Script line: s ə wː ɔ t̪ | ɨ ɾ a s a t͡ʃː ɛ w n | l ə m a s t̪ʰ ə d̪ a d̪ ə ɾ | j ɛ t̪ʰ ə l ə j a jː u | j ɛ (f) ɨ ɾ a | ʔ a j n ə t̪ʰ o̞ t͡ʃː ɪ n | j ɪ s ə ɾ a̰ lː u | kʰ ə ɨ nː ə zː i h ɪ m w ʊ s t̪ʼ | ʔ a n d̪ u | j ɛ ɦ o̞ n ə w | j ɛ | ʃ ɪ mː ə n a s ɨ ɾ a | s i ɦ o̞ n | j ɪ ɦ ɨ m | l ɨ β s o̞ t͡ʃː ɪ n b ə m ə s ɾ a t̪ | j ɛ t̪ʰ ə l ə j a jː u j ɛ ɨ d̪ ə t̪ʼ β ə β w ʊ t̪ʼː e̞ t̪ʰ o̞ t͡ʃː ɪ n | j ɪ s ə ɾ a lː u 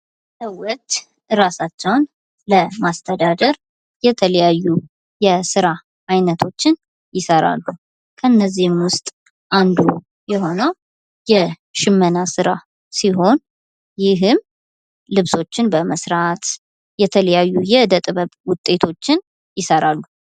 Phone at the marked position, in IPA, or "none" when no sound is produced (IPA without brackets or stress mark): s